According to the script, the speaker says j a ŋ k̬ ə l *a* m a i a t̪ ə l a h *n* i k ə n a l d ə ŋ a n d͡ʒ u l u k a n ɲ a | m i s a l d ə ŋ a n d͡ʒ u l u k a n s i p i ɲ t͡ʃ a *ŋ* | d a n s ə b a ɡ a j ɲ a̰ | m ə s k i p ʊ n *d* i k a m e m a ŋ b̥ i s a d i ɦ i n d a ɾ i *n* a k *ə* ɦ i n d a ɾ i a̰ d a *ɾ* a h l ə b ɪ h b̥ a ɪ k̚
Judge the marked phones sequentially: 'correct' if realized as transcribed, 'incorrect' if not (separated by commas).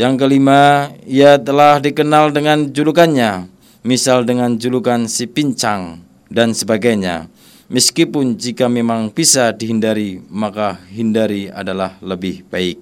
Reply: incorrect, incorrect, correct, incorrect, incorrect, incorrect, incorrect